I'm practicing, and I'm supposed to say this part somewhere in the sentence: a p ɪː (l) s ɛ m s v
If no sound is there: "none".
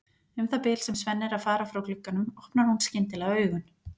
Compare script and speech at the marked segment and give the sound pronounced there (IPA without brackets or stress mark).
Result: l